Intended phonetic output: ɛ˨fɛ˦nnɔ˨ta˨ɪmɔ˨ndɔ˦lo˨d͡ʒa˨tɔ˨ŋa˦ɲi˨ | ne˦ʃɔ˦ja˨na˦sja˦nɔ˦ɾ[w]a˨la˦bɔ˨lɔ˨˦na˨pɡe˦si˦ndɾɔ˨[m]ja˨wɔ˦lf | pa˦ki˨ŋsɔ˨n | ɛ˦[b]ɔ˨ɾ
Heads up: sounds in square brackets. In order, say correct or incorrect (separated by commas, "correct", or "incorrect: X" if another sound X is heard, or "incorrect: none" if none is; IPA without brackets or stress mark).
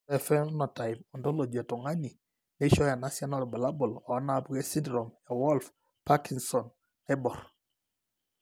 incorrect: b, correct, correct